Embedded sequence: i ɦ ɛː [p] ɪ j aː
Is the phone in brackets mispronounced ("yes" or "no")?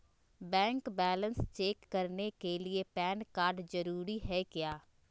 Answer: yes